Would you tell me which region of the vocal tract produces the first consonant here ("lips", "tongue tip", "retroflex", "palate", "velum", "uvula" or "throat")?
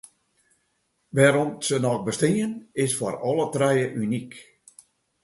lips